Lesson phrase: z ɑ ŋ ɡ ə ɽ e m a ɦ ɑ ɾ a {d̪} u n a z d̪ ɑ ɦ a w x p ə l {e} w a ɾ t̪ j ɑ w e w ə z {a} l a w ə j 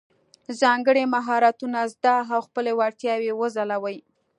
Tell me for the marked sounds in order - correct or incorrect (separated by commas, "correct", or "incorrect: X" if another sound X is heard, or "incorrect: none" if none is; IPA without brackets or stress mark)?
incorrect: t̪, correct, correct